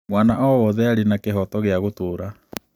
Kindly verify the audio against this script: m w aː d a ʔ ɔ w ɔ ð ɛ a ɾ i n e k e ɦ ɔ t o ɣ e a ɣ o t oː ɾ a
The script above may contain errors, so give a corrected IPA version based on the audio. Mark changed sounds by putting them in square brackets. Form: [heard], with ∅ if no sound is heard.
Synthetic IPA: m w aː [n] a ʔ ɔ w ɔ ð ɛ a ɾ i n [a] k e ɦ ɔ t [ɔ] ɣ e a ɣ o t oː ɾ a

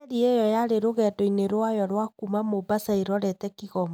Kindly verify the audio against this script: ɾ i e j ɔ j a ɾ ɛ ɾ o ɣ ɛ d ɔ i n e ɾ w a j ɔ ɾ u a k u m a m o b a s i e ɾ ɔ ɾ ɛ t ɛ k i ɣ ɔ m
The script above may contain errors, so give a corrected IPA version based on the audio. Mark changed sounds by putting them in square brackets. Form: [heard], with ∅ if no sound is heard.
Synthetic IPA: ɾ i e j ɔ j a ɾ [e] ɾ o ɣ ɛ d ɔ i n e ɾ w a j ɔ ɾ [w] a k u m a m o b a s [a] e ɾ ɔ ɾ ɛ t ɛ k i ɣ ɔ m

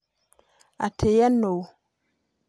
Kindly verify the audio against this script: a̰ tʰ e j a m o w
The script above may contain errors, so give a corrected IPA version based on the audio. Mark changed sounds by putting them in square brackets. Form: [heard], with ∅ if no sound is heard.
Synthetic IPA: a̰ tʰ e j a [n] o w

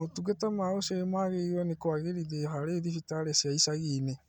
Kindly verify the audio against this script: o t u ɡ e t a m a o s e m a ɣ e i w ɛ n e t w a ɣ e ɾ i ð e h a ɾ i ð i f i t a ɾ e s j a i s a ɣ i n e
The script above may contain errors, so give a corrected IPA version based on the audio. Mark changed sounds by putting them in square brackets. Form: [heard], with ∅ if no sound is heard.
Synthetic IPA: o t u ɡ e t a m a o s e m a ɣ e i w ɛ n e [k] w a ɣ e ɾ i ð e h a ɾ [e] ð i f i t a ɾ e s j a i s a ɣ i n e

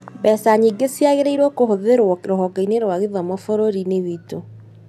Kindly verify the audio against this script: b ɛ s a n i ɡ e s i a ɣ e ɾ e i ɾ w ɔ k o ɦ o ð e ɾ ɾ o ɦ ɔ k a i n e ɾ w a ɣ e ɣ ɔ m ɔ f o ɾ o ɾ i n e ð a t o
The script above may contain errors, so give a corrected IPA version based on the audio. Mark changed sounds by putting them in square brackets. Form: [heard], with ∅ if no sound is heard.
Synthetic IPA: b ɛ s a [ɲ] i ɡ e s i a ɣ e ɾ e i ɾ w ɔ k o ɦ o ð e ɾ ɾ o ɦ ɔ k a i n e ɾ w a ɣ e [ð] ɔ m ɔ f o ɾ o ɾ i n e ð [i] t o

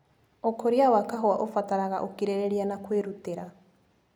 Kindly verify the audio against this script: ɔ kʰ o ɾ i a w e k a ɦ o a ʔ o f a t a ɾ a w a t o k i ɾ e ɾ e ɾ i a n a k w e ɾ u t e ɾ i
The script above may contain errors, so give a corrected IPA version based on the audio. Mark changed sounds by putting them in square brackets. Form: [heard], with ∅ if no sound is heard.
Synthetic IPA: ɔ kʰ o ɾ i a w [a] k a ɦ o a ʔ o f a t a ɾ a [ɣ] a [ʔ] o k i ɾ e ɾ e ɾ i a n a k w e ɾ u t e ɾ [a]

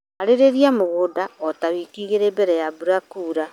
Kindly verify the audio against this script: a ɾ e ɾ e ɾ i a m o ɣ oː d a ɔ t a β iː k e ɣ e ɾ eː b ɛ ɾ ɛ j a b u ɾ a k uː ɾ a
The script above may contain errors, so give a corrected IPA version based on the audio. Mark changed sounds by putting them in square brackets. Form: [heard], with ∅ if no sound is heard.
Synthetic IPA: a ɾ e ɾ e ɾ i a m o ɣ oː d a ɔ t a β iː k [i] ɣ e ɾ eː b ɛ ɾ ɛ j a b u ɾ a k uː ɾ a

